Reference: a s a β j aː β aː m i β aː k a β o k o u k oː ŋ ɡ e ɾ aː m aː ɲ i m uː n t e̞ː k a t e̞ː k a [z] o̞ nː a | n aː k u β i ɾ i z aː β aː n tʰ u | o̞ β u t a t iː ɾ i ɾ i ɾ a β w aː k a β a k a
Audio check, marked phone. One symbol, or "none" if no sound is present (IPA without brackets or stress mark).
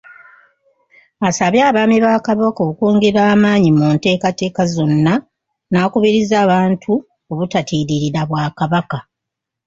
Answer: z